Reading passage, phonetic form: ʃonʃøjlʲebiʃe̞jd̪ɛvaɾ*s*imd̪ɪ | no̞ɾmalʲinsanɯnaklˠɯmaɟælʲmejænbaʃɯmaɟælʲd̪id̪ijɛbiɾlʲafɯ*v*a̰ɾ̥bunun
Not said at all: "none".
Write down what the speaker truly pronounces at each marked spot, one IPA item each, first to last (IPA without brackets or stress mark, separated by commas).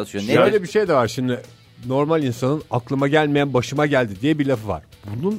ʃ, v